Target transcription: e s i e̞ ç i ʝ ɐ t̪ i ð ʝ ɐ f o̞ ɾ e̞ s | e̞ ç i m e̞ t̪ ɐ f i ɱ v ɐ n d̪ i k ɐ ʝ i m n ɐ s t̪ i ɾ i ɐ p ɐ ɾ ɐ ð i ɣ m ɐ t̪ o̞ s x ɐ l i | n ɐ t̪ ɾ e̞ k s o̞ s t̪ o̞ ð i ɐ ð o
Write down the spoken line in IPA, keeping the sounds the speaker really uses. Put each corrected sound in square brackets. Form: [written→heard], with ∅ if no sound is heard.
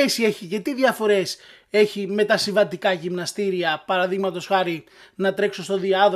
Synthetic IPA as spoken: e s i e̞ ç i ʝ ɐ t̪ i ð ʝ ɐ f o̞ ɾ e̞ s | e̞ ç i m e̞ t̪ ɐ [f→s] i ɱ v ɐ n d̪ i k ɐ ʝ i m n ɐ s t̪ i ɾ i ɐ p ɐ ɾ ɐ ð i ɣ m ɐ t̪ o̞ s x ɐ [l→ɾ] i | n ɐ t̪ ɾ e̞ k s o̞ s t̪ o̞ ð i ɐ ð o